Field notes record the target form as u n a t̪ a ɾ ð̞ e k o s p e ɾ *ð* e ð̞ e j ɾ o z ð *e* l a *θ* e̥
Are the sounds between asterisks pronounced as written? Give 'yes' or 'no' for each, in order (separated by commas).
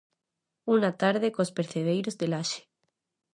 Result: no, yes, no